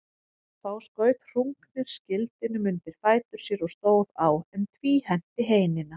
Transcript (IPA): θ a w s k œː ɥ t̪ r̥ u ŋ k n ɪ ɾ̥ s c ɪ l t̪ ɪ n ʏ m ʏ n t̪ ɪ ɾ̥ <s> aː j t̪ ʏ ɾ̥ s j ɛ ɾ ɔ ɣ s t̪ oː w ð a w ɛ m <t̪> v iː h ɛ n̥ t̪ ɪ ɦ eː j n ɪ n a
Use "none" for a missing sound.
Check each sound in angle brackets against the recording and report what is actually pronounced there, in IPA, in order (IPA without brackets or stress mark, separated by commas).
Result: f, t̪ʰ